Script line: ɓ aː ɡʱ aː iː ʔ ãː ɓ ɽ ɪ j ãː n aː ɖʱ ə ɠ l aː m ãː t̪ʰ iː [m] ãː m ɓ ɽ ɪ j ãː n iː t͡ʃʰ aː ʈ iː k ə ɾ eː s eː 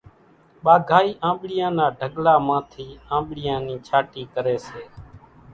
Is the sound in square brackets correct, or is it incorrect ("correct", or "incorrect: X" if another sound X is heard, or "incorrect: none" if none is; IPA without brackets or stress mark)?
incorrect: none